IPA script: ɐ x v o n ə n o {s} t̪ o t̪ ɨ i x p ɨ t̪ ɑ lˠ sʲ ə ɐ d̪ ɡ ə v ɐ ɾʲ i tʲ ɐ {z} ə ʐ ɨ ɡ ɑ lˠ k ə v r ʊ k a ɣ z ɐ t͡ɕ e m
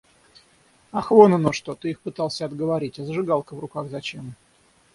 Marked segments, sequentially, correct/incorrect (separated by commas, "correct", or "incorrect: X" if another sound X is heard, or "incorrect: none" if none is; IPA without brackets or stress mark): incorrect: ʂ, correct